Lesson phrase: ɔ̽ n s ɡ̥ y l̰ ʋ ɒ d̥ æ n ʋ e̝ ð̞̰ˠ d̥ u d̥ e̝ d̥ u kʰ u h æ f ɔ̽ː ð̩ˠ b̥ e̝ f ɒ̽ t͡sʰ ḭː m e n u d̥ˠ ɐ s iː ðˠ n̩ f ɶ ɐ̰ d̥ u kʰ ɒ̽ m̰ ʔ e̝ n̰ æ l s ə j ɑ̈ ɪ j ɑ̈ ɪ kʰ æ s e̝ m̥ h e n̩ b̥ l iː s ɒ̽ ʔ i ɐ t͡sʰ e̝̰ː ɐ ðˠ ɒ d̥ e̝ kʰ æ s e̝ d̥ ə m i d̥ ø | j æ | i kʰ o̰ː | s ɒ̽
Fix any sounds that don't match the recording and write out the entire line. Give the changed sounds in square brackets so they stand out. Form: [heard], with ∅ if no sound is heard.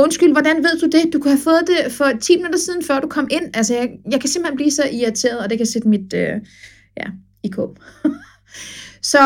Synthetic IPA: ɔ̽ n s ɡ̥ y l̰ ʋ ɒ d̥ æ n ʋ e̝ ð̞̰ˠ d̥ u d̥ e̝ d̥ u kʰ u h æ f ɔ̽ː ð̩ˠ [d̥] e̝ f ɒ̽ t͡sʰ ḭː m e n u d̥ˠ ɐ s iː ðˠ n̩ f ɶ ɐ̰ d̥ u kʰ ɒ̽ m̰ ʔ e̝ n̰ æ l s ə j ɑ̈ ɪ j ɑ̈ ɪ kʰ æ s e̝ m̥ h e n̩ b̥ l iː s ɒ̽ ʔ i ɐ t͡sʰ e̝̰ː ɐ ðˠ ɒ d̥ e̝ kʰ æ s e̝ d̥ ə m i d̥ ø | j æ | i kʰ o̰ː | s ɒ̽